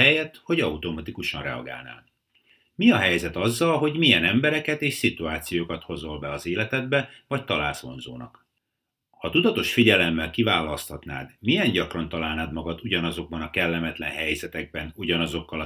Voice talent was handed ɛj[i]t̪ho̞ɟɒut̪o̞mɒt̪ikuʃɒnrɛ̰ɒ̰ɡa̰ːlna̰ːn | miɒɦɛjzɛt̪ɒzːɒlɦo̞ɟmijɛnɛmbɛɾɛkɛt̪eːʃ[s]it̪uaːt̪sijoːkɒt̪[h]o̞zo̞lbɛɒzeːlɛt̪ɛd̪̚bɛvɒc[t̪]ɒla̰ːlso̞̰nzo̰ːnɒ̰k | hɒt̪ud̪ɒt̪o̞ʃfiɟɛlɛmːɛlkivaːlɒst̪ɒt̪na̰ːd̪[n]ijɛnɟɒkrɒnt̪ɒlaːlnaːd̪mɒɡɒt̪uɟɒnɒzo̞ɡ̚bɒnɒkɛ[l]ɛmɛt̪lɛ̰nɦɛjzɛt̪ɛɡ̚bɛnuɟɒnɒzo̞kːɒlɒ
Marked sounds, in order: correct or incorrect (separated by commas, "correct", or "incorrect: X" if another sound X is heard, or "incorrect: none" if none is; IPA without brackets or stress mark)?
incorrect: ɛ, correct, correct, correct, incorrect: m, incorrect: lː